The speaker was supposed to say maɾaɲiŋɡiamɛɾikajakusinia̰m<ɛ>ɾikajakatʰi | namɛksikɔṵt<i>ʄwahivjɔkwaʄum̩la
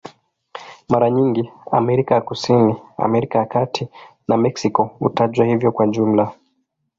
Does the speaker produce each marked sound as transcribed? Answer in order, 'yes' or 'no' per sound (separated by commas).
yes, no